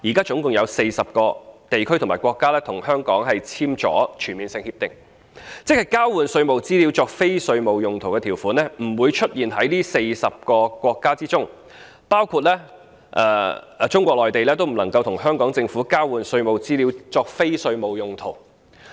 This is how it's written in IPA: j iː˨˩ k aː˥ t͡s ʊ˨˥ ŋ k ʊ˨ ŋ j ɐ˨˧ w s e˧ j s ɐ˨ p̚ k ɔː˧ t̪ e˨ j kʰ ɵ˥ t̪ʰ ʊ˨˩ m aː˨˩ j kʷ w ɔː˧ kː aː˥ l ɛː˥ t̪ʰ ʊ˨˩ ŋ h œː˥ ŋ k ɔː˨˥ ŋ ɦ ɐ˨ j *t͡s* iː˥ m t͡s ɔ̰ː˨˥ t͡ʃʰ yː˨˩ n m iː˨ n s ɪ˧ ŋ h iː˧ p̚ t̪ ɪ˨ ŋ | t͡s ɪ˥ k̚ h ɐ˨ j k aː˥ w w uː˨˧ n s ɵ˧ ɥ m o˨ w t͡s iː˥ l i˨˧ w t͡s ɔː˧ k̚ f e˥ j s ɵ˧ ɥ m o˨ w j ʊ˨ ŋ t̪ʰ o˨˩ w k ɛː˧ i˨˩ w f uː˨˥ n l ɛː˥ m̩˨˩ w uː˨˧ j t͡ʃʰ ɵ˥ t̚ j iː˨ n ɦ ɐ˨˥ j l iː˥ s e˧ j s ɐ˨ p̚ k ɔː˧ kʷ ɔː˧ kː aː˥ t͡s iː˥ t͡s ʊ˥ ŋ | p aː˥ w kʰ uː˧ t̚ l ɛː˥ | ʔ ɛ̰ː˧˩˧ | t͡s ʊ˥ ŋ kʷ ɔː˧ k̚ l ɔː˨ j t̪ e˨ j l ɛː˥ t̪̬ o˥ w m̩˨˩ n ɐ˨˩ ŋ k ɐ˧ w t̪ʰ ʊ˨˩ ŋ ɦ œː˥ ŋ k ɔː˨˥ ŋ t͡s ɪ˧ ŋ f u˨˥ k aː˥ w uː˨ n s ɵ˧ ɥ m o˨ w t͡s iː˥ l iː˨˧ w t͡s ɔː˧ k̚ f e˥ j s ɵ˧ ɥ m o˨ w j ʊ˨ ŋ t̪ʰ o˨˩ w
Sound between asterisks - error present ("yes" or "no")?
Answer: yes